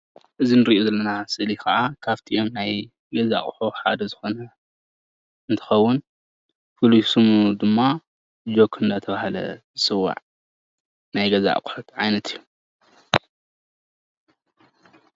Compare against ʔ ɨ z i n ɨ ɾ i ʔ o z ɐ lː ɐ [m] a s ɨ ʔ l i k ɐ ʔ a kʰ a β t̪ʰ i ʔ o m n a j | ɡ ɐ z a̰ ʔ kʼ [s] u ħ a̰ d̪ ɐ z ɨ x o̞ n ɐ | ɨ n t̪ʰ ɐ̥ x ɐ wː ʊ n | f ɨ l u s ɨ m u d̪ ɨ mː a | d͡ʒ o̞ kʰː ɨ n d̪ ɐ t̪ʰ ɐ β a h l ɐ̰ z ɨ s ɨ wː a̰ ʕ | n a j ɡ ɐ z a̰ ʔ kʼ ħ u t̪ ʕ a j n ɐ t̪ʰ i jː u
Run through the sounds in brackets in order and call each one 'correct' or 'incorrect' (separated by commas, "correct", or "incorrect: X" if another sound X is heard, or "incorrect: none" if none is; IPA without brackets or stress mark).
incorrect: n, incorrect: ħ